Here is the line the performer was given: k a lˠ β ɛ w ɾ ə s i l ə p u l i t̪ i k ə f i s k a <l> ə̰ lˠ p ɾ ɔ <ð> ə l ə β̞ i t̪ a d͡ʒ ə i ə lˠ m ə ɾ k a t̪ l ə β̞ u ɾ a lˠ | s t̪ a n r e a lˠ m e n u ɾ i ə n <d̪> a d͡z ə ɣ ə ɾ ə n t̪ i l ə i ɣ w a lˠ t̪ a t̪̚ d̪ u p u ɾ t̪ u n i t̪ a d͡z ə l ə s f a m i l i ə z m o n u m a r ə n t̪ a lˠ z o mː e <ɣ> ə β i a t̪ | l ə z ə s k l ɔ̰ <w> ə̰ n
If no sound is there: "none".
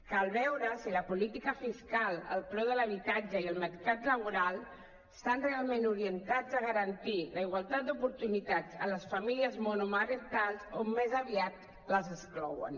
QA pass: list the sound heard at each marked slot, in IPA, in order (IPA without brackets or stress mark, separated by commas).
l, ð, t̪, z, w